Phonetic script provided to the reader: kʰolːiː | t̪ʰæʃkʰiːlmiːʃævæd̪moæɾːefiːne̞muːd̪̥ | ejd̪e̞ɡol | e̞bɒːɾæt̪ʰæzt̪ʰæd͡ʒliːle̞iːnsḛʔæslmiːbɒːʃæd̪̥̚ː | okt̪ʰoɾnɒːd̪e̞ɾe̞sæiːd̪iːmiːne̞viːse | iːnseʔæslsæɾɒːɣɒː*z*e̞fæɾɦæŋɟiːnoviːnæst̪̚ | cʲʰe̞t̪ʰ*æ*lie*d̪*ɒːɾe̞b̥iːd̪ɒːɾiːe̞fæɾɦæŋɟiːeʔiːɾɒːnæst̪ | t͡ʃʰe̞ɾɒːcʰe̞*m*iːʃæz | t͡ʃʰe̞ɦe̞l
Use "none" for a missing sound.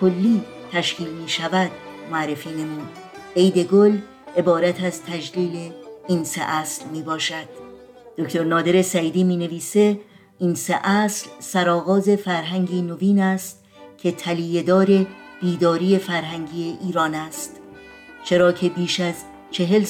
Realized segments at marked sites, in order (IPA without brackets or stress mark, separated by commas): z, æ, d̪, b